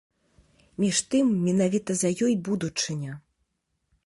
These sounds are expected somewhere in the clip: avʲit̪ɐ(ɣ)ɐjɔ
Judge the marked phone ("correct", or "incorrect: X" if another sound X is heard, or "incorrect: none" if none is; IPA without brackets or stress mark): incorrect: z